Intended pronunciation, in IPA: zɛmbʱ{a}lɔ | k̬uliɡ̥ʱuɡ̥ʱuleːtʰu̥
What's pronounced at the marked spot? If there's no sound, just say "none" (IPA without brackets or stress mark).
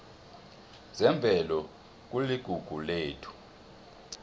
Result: ɛ